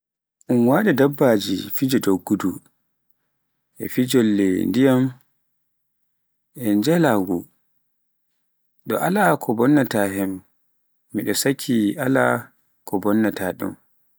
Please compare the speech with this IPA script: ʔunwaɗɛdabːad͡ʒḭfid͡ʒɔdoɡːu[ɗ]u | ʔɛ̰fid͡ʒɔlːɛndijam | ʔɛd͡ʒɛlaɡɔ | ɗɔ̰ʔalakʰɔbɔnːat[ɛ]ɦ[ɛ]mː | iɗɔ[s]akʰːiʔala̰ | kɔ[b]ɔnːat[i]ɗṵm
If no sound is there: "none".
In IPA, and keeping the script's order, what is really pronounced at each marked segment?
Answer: d, a, ɛ, s, b, a

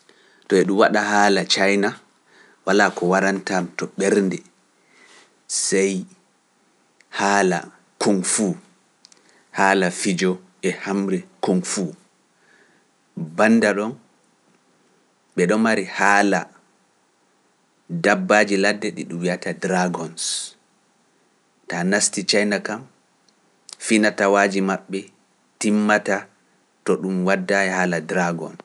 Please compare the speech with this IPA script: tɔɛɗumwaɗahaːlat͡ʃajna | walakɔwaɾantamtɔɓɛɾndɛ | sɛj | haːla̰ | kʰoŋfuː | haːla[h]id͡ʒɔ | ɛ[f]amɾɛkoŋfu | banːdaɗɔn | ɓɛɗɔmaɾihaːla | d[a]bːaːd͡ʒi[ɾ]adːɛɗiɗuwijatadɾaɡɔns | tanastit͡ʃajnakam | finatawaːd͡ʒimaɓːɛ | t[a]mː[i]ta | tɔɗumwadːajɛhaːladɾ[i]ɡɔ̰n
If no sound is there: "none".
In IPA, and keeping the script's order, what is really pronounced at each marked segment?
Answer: f, h, a, l, i, a, a

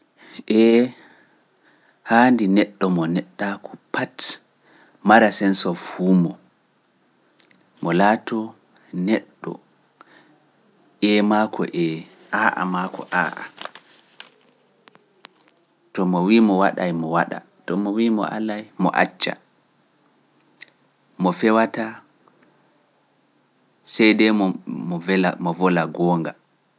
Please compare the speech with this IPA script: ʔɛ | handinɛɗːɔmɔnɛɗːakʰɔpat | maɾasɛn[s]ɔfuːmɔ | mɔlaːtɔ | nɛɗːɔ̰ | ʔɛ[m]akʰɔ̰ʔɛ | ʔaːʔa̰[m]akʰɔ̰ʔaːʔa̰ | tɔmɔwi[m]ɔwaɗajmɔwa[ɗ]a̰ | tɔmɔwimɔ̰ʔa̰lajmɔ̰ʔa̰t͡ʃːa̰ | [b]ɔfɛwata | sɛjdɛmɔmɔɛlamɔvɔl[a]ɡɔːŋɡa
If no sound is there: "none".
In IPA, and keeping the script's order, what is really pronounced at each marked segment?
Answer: s, m, m, m, ɗ, m, a

